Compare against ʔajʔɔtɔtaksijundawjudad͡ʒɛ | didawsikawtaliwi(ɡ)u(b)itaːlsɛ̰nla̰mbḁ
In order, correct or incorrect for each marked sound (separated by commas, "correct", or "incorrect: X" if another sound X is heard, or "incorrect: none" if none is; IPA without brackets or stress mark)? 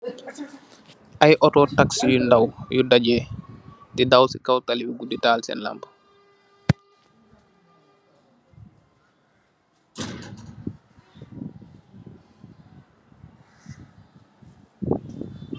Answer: correct, incorrect: d